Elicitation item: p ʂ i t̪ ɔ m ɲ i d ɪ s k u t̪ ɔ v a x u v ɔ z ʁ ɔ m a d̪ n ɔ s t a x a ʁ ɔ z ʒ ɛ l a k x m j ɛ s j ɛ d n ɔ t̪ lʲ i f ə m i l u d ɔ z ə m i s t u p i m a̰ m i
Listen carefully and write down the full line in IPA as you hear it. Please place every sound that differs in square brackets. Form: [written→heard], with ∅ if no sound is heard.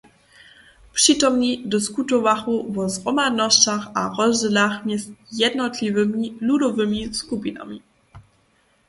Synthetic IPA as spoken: p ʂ i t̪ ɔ m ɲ i d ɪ s k u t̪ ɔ v a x u v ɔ z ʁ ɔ m a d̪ n ɔ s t a x a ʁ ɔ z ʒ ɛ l a [k→∅] x m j ɛ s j ɛ d n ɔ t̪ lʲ i [f→v] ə m i l u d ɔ [z→v] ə m i s [t→k] u p i [m→n] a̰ m i